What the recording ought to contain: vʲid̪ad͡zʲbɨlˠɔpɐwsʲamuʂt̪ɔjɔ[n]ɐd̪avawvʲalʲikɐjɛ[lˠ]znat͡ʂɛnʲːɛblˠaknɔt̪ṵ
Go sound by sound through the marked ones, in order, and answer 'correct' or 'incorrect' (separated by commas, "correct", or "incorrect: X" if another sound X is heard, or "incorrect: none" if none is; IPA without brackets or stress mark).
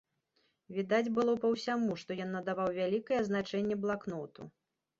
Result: incorrect: nː, incorrect: none